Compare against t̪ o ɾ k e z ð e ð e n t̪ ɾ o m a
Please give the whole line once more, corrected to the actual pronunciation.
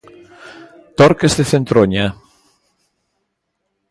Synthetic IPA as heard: t̪ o ɾ k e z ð e θ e n t̪ ɾ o ɲ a